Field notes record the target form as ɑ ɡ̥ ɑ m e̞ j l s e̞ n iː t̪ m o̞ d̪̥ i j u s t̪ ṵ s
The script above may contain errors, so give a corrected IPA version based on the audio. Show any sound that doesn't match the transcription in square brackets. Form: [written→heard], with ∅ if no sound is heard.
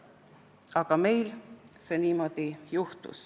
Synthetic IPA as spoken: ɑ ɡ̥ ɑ m e̞ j l s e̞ n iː [t̪→∅] m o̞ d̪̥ i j u [s→h] t̪ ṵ s